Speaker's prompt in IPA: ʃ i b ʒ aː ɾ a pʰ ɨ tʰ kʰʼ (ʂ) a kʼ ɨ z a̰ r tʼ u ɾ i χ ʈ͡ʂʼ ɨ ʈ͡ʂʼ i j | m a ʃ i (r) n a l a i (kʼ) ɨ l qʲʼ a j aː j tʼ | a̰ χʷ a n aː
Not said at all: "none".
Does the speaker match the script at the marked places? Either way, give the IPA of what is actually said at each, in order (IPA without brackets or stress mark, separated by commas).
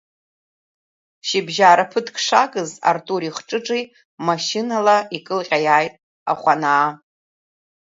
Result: ʂ, none, kʼ